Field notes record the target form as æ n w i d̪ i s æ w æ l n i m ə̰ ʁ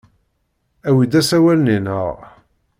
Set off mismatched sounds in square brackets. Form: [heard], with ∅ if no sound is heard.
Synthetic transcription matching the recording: æ [∅] w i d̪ [æ] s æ w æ l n i [n] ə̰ ʁ